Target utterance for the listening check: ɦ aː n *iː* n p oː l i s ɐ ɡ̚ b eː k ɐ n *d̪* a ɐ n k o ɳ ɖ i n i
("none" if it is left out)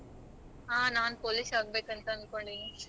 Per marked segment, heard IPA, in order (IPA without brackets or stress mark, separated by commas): aː, t̪